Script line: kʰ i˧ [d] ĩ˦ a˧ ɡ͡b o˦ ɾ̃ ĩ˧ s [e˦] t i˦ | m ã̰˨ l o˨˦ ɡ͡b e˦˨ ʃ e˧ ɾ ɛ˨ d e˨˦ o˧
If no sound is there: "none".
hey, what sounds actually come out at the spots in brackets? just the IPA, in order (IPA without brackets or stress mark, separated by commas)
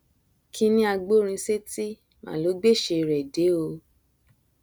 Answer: n, e˦